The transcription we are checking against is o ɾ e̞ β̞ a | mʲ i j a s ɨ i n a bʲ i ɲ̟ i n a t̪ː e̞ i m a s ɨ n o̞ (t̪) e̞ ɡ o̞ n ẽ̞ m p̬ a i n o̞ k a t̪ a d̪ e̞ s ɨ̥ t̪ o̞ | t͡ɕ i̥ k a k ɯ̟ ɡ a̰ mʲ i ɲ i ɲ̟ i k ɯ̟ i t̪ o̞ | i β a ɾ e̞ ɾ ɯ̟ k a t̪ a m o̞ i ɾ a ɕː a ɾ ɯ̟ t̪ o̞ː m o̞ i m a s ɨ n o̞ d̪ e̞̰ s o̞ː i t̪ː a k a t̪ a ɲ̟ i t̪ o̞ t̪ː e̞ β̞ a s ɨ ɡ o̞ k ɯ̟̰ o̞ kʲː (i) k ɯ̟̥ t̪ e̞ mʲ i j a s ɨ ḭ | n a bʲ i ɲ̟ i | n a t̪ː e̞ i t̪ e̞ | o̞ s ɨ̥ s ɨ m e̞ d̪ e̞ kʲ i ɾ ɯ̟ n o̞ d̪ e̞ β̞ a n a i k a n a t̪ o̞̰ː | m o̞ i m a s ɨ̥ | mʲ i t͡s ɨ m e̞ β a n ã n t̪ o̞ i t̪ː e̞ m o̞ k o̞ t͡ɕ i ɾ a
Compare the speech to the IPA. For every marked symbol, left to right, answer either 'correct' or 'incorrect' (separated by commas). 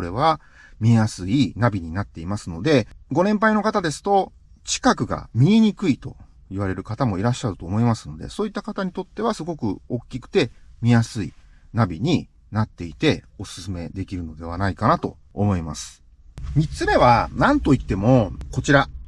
incorrect, correct